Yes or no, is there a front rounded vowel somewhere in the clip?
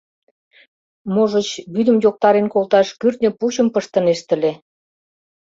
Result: yes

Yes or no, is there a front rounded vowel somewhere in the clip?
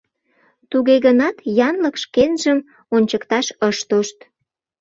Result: no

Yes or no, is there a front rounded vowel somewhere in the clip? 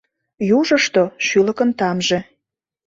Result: yes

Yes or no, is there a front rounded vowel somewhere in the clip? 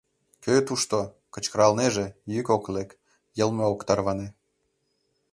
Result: yes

